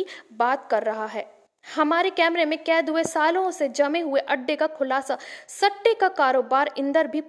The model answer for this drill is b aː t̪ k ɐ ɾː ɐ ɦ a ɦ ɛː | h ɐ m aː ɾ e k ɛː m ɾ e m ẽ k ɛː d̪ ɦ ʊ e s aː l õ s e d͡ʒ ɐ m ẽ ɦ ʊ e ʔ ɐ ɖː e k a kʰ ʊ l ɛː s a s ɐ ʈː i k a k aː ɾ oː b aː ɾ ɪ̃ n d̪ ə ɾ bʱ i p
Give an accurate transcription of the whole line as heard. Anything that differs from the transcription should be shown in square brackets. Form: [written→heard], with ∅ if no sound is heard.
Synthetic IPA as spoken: b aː t̪ k ɐ ɾː ɐ ɦ a ɦ ɛː | h ɐ m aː ɾ e k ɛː m ɾ e m ẽ k ɛː d̪ ɦ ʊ e s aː l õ s e d͡ʒ ɐ m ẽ ɦ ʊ e ʔ ɐ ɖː e k a kʰ ʊ l [ɛː→aː] s a s ɐ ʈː [i→e] k a k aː ɾ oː b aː ɾ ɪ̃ n d̪ ə ɾ bʱ i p